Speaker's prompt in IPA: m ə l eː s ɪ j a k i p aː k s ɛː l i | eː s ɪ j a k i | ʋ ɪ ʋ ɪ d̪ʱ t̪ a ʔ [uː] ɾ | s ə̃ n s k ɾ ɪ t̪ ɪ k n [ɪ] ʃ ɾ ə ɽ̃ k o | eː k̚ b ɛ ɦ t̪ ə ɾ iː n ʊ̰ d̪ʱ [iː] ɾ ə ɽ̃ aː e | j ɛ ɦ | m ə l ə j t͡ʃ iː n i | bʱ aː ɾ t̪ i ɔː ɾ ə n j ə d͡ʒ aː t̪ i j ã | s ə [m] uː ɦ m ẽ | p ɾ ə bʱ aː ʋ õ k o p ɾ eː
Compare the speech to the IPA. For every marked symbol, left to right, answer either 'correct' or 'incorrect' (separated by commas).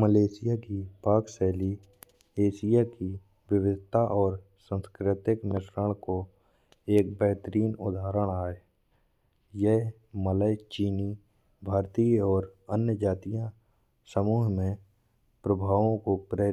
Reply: incorrect, correct, incorrect, correct